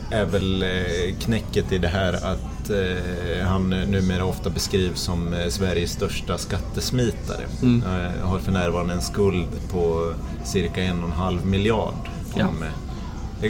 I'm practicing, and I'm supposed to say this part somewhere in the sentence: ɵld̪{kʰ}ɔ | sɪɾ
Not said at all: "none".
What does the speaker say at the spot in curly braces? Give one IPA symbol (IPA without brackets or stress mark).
pʰ